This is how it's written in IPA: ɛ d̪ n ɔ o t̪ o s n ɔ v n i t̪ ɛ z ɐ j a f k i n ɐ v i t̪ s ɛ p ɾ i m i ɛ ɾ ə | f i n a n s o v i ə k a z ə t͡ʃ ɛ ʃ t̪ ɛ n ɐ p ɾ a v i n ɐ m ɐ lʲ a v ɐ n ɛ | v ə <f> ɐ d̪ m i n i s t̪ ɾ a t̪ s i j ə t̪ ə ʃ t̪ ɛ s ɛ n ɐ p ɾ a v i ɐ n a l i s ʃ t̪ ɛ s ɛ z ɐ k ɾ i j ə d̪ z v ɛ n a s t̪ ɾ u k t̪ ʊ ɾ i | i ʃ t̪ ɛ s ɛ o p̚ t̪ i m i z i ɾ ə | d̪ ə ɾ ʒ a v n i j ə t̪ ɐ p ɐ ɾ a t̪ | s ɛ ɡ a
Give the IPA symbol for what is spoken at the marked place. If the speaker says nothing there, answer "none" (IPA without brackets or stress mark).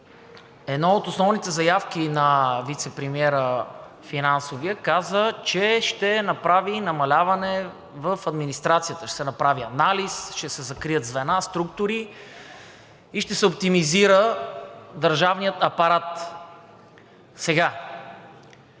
f